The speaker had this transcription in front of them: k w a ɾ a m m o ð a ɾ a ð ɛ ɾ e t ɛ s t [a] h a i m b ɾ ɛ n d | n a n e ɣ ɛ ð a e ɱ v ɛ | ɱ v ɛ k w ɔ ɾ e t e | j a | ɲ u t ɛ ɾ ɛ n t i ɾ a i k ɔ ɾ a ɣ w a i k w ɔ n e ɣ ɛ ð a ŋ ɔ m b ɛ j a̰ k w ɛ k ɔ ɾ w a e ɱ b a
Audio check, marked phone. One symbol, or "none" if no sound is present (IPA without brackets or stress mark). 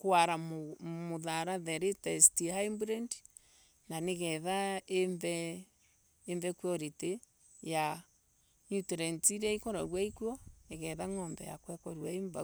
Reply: i